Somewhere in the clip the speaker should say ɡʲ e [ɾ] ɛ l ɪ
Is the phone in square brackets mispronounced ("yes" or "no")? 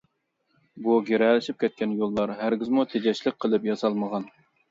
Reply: no